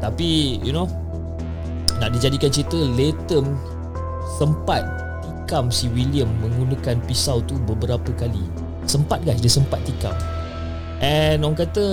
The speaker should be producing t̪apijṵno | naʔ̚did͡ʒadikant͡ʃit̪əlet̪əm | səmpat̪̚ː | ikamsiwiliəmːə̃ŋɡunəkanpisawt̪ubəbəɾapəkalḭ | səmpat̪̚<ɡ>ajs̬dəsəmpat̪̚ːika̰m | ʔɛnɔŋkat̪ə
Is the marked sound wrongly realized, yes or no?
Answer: no